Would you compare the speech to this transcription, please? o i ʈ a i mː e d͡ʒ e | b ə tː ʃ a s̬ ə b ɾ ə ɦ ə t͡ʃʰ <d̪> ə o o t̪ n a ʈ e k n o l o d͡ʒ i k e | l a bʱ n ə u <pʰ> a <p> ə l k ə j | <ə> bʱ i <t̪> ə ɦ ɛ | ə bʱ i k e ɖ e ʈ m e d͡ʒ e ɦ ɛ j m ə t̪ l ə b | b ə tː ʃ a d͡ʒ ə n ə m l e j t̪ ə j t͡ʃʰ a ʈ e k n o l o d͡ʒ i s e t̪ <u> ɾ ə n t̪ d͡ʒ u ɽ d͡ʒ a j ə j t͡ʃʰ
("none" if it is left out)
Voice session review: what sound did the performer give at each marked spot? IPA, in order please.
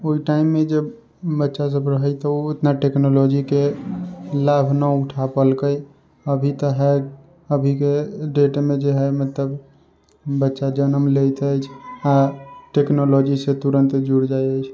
t̪, ʈʰ, p, ə, t̪, u

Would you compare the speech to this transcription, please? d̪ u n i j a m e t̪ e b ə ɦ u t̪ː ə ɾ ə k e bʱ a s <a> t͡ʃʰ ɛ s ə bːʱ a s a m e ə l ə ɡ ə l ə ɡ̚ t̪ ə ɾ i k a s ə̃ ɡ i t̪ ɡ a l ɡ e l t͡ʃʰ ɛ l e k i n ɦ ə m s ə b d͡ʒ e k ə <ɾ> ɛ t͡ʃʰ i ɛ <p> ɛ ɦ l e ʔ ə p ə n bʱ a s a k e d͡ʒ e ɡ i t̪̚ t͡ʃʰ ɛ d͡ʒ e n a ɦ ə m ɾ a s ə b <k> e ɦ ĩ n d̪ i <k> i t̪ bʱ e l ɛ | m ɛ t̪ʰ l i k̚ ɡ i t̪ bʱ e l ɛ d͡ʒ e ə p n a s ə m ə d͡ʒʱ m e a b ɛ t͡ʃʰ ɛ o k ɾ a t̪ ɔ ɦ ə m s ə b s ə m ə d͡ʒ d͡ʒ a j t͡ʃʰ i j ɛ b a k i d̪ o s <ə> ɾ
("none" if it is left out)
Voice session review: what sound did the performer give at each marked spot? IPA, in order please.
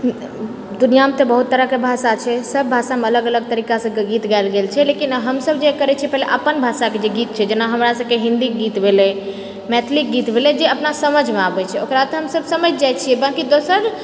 a, ɾ, p, k, ɡ, ə

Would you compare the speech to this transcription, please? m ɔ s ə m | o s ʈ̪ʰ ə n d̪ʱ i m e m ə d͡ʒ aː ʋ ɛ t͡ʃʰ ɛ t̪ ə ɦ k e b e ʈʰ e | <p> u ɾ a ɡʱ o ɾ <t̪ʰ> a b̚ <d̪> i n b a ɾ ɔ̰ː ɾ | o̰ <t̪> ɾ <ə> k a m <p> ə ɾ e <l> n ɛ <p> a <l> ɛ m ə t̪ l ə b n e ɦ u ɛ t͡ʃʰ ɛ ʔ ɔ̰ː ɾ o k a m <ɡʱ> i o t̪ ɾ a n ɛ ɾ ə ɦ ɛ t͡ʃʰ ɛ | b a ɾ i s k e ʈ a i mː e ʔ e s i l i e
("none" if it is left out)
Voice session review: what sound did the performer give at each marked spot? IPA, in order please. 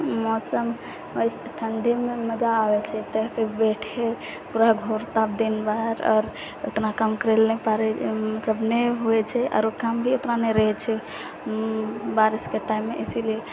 p, t̪, d̪, t̪, a, k, l, p, ɾ, bʱ

